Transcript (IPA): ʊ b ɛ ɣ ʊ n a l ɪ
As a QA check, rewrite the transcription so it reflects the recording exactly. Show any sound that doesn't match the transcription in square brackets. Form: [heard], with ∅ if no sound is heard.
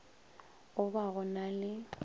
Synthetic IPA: ʊ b [a] ɣ ʊ n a l ɪ